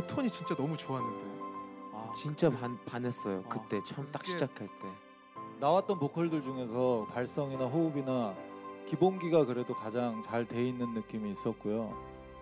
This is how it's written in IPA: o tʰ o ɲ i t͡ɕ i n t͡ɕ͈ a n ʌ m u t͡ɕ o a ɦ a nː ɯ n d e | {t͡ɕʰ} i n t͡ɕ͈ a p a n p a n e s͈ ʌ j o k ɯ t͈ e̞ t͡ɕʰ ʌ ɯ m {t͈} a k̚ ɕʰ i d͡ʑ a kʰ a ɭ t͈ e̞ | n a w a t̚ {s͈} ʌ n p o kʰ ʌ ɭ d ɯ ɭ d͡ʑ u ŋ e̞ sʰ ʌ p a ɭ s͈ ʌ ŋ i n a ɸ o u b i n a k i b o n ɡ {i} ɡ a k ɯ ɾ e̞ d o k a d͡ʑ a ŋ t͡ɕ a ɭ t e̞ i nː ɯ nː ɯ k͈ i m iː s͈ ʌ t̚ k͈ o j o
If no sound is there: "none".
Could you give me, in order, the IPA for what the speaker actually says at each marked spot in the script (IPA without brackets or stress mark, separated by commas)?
t͡ɕ, t͈, t͈, i